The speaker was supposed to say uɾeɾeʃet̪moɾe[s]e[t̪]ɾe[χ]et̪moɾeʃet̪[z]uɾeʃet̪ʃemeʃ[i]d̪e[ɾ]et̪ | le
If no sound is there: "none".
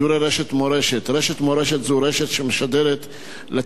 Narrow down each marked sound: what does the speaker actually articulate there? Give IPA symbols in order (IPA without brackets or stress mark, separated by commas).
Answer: ʃ, t̪, ʃ, z, a, ɾ